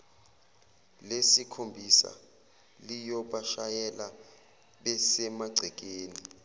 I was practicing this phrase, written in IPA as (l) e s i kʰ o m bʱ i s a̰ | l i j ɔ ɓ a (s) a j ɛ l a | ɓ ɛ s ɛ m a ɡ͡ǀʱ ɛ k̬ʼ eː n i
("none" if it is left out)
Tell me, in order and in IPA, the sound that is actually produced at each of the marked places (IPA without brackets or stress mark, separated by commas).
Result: l, ʃ